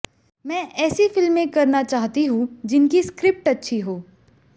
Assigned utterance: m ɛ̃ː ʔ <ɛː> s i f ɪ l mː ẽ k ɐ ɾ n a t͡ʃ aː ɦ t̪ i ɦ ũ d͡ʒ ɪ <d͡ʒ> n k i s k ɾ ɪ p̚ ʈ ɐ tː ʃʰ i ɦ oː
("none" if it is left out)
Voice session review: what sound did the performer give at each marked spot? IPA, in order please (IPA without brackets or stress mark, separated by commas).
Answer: ɛː, none